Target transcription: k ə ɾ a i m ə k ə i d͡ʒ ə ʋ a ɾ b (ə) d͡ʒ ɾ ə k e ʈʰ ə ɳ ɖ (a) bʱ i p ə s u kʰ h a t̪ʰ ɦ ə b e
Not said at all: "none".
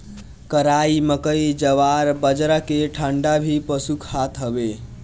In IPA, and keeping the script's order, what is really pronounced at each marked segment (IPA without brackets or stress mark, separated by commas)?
ə, a